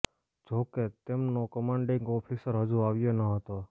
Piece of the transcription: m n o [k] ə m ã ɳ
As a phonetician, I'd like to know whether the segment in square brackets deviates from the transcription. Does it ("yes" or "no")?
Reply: no